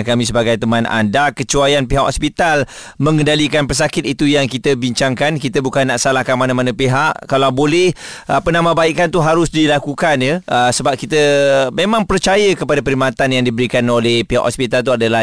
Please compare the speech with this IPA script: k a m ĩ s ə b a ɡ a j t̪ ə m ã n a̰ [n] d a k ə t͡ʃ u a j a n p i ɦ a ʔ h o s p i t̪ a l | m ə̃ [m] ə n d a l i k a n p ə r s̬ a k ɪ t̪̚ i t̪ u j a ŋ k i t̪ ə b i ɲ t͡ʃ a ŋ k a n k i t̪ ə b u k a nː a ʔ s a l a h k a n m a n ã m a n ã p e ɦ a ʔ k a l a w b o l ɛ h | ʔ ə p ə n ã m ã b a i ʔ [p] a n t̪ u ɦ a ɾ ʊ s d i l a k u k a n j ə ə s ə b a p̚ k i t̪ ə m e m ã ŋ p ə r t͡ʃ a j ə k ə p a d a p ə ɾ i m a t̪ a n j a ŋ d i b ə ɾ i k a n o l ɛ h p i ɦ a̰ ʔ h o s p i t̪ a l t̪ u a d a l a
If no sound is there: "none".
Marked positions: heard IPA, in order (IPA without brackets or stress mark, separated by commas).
n, ŋ, k